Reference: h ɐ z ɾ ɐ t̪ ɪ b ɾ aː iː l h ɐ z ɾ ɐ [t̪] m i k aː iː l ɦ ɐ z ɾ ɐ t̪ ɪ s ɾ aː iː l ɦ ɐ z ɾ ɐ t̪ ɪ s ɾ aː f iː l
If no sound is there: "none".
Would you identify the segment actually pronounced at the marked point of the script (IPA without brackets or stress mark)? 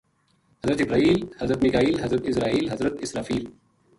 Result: t̪